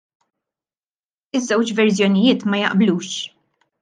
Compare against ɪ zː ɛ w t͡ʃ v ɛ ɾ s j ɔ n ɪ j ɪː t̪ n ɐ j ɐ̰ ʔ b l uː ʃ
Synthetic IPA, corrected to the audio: ɪ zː ɛ w t͡ʃ v ɛ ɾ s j ɔ n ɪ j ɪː t̪ m ɐ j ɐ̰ ʔ b l uː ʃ